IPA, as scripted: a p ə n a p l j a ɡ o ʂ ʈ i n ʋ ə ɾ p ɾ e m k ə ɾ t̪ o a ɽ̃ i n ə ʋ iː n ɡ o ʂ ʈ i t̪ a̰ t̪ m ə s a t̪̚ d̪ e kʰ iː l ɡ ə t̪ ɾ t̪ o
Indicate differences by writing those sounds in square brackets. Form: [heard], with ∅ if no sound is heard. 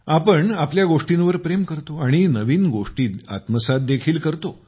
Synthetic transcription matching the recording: a p ə [ɳ] a p l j a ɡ o ʂ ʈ i n ʋ ə ɾ p ɾ e m k ə ɾ t̪ o a ɽ̃ i n ə ʋ iː n ɡ o ʂ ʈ [iː] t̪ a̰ t̪ m ə s a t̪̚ d̪ e kʰ iː l [k] ə [∅] ɾ t̪ o